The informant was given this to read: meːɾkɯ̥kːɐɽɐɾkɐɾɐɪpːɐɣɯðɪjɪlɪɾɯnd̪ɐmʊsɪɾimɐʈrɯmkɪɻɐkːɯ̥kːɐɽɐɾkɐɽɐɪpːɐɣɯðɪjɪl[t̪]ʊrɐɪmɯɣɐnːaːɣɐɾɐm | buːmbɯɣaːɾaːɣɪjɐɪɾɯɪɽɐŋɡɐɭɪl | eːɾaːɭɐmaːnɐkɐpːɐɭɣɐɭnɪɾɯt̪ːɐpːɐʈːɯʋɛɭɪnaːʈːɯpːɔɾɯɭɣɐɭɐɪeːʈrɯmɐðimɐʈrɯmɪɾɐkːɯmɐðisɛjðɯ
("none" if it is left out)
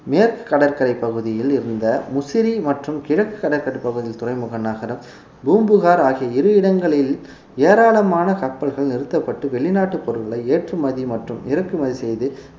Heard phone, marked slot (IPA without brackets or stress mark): t̪